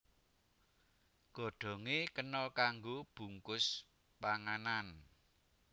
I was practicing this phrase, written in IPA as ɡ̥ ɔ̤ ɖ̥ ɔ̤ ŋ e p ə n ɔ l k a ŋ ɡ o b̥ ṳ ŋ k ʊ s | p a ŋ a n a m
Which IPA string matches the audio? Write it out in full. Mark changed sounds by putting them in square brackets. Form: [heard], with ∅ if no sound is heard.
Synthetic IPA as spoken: ɡ̥ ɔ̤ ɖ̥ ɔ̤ ŋ e [k] ə n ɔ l k a ŋ ɡ o b̥ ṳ ŋ k ʊ s | p a ŋ a n a [n]